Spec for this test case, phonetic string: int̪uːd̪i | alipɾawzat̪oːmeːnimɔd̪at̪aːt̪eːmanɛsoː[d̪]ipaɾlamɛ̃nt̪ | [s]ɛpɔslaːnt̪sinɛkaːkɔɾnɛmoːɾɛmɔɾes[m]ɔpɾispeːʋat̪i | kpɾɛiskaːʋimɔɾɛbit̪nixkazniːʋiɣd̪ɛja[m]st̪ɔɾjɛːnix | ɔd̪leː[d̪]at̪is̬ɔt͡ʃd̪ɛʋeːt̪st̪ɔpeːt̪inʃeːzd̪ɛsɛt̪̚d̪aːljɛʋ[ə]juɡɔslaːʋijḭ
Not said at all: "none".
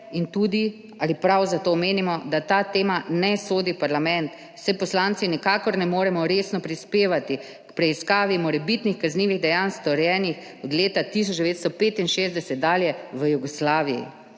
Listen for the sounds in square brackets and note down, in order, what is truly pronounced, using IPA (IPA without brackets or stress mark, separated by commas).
d̪, s, n, n, t̪, ə